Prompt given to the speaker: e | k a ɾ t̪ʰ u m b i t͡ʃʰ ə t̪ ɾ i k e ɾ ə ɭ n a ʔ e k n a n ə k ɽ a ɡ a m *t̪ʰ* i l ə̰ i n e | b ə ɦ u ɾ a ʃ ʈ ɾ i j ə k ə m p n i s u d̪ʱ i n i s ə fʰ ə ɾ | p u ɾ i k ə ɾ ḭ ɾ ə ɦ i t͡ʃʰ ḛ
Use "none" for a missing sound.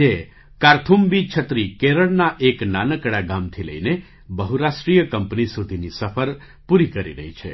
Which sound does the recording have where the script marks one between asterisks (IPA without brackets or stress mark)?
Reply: t̪ʰ